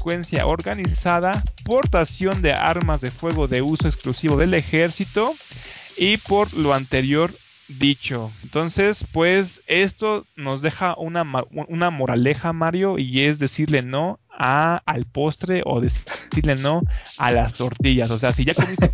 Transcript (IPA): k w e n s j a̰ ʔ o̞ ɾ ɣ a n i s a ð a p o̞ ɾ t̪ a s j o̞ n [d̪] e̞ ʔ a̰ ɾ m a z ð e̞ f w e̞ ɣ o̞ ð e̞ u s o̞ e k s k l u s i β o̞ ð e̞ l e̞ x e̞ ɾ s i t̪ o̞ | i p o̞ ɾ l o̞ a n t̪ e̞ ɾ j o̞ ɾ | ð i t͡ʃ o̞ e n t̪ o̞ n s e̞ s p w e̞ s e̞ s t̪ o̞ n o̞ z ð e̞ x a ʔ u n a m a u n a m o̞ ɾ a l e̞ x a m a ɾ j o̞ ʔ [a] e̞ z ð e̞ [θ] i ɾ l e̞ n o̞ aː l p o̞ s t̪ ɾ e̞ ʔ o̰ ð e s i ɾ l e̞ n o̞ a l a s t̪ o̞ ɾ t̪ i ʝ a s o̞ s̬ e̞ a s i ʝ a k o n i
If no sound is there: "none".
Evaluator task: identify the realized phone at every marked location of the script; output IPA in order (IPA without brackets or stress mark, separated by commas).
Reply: d̪, i, s